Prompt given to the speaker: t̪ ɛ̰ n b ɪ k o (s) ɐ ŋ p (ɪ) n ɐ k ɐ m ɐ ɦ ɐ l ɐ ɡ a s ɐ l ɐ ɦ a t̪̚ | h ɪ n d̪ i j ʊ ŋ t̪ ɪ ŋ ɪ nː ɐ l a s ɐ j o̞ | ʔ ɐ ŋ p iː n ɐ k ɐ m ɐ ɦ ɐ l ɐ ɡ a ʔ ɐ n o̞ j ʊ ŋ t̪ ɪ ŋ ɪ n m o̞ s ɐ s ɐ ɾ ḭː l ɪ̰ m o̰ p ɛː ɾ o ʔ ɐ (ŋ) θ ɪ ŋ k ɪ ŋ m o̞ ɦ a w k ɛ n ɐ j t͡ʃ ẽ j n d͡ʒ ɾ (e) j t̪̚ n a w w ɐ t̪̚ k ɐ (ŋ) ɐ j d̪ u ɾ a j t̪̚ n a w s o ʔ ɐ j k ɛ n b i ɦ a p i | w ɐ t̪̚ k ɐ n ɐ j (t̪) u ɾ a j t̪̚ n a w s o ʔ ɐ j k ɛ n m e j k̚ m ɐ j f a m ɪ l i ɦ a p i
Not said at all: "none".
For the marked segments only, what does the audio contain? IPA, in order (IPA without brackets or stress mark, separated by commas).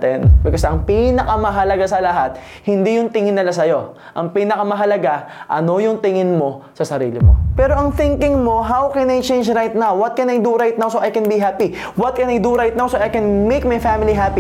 s, i, ŋ, a, n, d̪